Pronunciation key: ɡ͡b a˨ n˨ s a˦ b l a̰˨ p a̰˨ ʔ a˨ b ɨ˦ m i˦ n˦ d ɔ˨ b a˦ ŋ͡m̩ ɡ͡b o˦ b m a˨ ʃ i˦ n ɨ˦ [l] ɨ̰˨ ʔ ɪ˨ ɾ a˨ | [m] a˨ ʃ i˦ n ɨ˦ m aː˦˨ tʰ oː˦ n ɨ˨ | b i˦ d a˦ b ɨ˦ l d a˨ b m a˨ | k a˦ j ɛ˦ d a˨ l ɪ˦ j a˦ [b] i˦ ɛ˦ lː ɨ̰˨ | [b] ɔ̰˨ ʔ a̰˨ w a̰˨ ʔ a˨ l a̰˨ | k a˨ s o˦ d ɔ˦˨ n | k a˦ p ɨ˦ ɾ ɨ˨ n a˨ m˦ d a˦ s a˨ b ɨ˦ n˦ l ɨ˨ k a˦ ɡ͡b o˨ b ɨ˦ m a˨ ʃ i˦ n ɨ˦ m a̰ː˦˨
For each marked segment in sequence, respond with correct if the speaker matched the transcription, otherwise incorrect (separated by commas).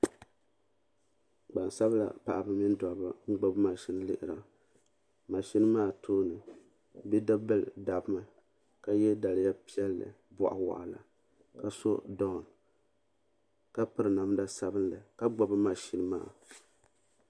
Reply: correct, correct, incorrect, correct